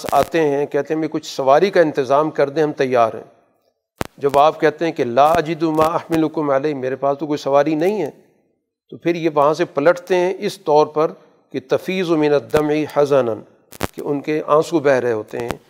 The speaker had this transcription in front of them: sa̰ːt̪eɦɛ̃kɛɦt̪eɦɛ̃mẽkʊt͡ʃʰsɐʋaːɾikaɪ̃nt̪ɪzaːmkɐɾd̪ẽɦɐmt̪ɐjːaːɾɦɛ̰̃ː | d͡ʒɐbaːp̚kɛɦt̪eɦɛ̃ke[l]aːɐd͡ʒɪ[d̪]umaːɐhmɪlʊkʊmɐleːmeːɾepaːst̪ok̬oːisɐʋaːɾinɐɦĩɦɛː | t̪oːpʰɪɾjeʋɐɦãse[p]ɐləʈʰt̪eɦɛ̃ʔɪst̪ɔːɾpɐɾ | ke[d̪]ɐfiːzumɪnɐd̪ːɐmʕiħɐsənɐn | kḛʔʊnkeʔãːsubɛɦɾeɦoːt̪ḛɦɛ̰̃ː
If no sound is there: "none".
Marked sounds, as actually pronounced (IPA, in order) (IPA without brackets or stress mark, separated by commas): l, d̪, p, t̪